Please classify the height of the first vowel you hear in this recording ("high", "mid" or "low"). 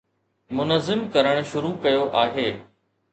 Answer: high